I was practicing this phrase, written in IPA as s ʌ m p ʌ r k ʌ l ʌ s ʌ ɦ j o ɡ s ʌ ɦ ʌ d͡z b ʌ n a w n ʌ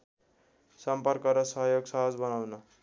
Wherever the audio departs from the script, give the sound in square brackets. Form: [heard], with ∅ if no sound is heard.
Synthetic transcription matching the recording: s ʌ m p ʌ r k ʌ [ɾ] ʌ s ʌ ɦ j o ɡ s ʌ ɦ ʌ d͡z b ʌ n a w n ʌ